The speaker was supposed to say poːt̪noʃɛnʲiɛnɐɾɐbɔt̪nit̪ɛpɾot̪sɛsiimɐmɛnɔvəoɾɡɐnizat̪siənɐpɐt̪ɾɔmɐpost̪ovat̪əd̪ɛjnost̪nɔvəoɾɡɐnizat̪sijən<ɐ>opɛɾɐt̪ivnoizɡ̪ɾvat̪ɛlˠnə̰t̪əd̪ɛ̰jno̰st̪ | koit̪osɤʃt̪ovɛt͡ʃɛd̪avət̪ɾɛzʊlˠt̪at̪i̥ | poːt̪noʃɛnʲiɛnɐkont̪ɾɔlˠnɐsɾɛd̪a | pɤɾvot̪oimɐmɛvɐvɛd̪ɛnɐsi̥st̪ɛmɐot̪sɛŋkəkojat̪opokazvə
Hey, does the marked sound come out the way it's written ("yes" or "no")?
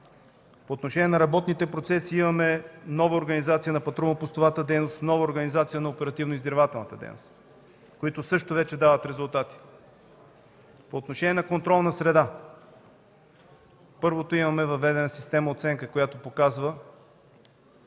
yes